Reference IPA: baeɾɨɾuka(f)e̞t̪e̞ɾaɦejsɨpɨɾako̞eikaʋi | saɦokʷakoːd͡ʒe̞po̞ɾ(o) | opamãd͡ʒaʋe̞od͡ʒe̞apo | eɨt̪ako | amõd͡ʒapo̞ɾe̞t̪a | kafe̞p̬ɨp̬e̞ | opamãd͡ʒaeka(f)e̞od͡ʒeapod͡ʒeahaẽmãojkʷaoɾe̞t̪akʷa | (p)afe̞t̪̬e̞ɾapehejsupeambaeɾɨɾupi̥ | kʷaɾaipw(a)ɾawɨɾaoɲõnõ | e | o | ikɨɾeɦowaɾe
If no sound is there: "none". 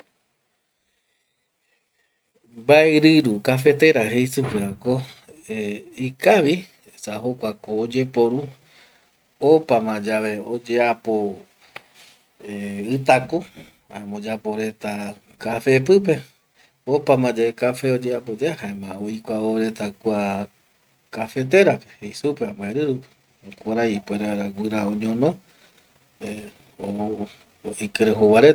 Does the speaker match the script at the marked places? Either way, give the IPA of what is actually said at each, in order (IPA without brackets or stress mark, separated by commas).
f, u, f, k, e